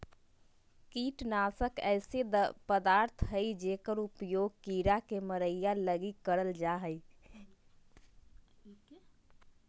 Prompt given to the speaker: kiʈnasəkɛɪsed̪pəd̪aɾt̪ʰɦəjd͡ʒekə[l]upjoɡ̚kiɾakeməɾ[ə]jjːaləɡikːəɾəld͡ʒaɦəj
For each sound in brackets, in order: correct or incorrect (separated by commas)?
incorrect, correct